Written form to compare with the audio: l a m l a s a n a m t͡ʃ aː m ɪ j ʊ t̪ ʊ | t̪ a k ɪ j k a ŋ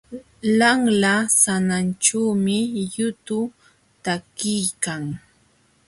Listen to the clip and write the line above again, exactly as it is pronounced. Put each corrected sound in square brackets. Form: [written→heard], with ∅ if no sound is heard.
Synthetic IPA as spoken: l a [m→ŋ] l a s a n a [m→n] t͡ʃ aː m ɪ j ʊ t̪ ʊ | t̪ a k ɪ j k a ŋ